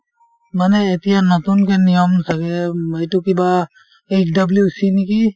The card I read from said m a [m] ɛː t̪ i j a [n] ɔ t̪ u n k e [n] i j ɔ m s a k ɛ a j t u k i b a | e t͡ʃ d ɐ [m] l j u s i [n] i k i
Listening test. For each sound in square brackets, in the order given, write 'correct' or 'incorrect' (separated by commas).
incorrect, correct, correct, incorrect, correct